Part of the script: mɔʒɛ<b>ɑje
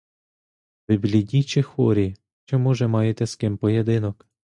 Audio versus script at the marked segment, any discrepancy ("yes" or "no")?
yes